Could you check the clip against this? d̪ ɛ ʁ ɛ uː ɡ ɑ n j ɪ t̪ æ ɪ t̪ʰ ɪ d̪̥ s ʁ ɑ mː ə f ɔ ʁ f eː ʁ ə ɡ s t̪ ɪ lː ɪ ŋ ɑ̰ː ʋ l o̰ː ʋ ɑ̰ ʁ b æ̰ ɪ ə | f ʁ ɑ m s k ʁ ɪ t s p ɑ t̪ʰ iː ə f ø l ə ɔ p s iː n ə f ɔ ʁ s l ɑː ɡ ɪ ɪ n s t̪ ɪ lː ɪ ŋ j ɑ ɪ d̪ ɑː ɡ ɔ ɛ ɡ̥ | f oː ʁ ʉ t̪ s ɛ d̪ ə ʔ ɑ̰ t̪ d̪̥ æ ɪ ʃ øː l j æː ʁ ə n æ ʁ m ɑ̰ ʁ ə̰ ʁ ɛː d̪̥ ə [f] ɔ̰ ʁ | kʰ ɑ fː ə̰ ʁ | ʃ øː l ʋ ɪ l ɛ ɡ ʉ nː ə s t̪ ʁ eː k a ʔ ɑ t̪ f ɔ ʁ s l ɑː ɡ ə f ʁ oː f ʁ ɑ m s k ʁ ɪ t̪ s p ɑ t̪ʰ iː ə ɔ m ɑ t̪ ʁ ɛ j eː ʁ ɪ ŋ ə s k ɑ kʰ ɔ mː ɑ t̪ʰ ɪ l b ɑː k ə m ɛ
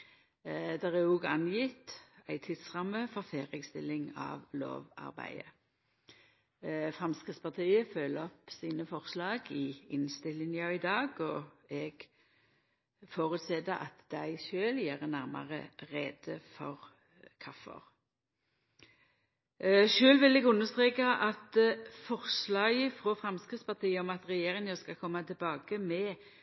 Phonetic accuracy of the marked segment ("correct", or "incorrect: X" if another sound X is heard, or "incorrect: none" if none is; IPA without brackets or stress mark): correct